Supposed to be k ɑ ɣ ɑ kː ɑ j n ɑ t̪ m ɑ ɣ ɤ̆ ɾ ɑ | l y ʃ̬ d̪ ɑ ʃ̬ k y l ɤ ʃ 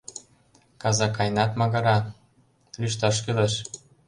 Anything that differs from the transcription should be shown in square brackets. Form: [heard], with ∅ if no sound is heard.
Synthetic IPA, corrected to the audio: k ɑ [z] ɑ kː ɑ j n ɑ t̪ m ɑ ɣ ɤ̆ ɾ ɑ | l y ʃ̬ [t̪] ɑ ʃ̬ k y l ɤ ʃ